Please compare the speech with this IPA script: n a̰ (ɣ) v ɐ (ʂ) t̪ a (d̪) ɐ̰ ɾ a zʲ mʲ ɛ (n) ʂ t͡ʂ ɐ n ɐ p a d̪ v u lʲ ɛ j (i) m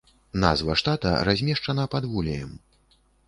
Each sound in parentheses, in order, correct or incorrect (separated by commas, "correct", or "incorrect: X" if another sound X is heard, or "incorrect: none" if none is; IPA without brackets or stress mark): incorrect: z, correct, incorrect: t̪, incorrect: none, incorrect: ɛ